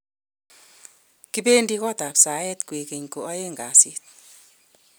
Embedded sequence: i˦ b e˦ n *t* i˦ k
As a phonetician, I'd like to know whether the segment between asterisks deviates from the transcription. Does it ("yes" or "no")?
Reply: yes